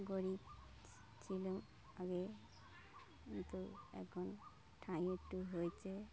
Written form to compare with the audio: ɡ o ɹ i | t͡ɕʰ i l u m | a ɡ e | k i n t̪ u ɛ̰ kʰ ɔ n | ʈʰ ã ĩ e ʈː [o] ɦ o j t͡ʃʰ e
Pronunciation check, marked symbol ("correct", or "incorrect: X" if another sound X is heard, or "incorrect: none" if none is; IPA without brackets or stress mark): incorrect: u